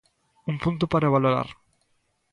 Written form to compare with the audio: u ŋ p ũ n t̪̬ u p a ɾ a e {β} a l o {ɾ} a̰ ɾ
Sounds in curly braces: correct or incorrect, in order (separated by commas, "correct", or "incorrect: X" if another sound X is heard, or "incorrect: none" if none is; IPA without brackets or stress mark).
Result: correct, correct